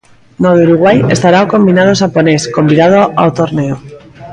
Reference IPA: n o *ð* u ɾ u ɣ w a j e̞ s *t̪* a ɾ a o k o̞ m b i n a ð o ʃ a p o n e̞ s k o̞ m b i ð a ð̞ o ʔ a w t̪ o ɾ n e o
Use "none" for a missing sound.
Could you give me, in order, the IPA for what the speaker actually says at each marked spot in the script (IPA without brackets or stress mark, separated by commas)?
ð, t̪